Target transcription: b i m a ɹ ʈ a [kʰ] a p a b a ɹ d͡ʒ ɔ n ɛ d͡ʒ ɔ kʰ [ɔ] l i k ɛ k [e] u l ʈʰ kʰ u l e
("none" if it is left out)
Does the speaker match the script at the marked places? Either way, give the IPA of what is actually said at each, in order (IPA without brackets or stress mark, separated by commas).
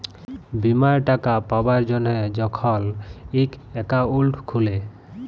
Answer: k, ɔ, a